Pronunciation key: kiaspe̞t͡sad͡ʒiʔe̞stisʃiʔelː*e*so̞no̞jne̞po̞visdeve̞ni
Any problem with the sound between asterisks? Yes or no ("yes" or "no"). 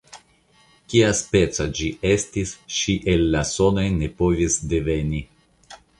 yes